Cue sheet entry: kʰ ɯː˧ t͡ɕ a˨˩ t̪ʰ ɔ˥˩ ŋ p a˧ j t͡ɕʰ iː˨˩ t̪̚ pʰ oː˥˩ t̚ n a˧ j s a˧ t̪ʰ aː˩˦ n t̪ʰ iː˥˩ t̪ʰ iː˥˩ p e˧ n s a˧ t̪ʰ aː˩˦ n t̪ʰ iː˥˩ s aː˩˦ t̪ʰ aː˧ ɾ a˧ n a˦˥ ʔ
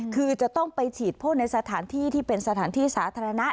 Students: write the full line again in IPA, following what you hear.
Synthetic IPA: kʰ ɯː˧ t͡ɕ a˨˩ t̪ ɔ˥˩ ŋ p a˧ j t͡ɕʰ iː˨˩ t̪̚ pʰ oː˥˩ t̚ n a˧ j s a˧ t̪ʰ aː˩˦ n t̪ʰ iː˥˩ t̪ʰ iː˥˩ p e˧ n s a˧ t̪ʰ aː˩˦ n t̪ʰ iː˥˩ s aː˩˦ t̪ʰ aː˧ ɾ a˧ n a˦˥ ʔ